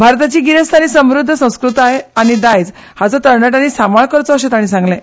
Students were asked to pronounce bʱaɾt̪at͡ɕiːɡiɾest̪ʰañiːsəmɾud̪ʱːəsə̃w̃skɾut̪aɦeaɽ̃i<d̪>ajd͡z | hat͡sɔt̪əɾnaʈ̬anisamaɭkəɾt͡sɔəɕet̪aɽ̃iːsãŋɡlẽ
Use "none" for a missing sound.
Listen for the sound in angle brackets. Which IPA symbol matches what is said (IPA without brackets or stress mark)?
d̪